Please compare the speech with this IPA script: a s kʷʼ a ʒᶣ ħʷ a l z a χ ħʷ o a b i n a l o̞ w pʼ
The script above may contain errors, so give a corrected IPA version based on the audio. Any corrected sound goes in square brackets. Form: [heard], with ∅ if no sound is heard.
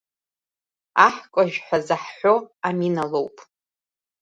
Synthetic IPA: a [ħ] kʷʼ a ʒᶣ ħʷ a [∅] z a [ħ] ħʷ o a [m] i n a l o̞ w pʼ